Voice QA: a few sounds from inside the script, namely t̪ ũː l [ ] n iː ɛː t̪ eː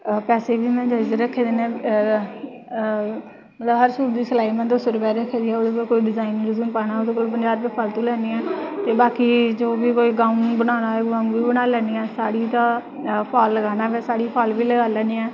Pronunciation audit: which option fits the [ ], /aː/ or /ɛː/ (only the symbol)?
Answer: ɛː